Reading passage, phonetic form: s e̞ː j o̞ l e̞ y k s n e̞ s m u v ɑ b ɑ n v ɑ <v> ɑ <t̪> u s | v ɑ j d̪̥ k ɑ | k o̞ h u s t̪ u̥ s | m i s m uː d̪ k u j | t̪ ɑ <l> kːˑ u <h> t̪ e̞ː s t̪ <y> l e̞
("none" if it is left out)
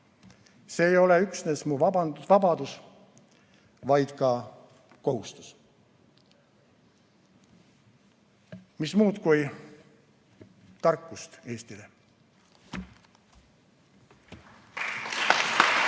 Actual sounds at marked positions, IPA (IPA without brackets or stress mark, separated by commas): b, d̪, r, s, i